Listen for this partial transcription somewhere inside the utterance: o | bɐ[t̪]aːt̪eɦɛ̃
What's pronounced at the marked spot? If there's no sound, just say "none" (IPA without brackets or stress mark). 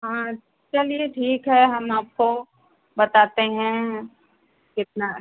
t̪